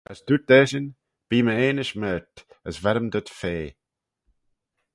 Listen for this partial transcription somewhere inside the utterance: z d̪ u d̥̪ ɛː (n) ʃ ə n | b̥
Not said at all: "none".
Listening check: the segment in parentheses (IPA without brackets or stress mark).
none